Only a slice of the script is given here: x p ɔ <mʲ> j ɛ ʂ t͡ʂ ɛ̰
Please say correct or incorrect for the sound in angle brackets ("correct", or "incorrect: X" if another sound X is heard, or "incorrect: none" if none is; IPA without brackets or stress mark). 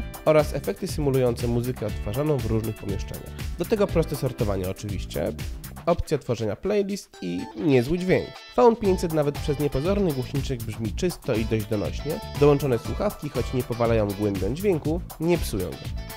correct